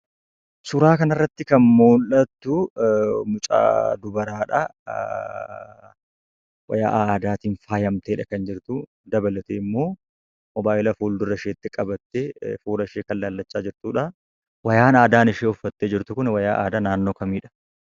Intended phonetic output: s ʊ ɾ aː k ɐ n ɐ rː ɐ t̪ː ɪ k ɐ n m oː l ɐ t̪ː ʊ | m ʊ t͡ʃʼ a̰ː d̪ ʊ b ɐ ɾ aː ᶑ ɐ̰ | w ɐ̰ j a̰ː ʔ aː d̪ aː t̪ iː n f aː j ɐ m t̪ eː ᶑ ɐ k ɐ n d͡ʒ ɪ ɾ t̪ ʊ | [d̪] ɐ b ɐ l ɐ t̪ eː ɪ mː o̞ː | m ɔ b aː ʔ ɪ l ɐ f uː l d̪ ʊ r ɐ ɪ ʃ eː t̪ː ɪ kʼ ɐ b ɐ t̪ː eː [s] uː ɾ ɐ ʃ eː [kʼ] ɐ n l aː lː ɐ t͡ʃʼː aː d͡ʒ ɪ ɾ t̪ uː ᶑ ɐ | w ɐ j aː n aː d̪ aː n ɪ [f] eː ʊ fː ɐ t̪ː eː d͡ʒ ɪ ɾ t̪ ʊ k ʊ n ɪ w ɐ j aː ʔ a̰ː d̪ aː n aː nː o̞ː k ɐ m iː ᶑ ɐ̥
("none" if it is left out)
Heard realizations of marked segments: d̪, f, k, ʃ

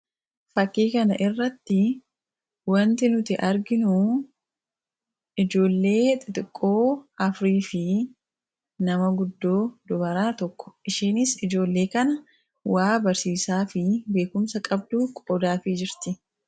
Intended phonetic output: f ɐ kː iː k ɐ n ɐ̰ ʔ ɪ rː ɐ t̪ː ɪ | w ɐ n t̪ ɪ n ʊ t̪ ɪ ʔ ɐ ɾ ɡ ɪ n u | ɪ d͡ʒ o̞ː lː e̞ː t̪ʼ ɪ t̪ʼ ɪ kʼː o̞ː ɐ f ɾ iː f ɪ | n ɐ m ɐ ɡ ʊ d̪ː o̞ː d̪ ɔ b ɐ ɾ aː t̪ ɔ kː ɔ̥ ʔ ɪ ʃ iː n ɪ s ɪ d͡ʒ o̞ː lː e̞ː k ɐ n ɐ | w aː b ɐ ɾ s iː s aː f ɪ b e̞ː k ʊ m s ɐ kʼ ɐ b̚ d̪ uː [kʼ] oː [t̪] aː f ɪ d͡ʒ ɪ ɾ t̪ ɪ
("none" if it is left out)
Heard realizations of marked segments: kʼ, d̪

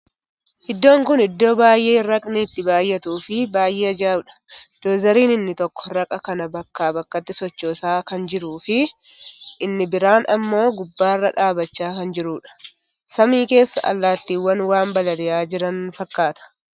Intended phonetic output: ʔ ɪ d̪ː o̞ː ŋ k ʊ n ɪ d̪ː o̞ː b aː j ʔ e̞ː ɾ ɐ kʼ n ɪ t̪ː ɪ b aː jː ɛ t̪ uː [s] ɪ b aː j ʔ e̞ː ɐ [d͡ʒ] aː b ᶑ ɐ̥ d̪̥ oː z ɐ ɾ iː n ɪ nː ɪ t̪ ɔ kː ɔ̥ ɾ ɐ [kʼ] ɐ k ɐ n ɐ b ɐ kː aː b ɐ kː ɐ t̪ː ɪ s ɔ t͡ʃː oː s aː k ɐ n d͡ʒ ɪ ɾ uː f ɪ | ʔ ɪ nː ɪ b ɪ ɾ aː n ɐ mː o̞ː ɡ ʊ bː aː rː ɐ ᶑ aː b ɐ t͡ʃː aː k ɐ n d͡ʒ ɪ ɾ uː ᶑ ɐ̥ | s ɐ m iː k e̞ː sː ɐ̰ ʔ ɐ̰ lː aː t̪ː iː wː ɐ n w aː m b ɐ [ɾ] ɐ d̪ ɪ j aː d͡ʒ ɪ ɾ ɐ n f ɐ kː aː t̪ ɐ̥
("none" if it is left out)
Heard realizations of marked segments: f, d͡ʒ, kʼ, l

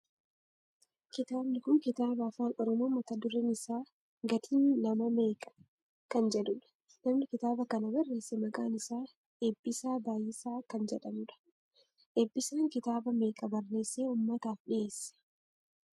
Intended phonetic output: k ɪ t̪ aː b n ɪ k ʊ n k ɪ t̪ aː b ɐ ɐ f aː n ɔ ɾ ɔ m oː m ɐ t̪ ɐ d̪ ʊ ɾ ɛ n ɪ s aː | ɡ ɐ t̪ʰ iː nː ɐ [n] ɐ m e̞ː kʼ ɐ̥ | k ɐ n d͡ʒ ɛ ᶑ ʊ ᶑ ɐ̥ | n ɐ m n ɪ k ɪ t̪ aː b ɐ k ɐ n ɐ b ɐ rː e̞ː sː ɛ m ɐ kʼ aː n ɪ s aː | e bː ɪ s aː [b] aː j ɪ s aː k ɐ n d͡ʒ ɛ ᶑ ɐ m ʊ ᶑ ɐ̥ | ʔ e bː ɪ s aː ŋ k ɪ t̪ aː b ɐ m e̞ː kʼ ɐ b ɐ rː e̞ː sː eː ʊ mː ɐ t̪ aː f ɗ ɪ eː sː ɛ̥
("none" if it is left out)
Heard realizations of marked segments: m, b

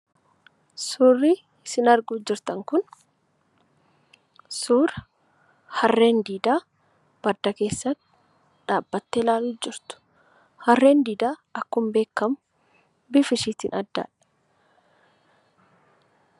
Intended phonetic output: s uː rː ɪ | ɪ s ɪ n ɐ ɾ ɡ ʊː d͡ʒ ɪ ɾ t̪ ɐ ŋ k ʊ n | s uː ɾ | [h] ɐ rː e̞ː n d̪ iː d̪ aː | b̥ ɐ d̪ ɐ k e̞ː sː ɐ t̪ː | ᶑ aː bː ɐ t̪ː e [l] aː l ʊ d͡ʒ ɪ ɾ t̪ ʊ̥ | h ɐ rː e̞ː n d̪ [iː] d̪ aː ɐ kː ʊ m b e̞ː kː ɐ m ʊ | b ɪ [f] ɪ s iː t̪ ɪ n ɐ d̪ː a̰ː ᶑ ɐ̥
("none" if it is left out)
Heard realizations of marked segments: h, l, iː, f

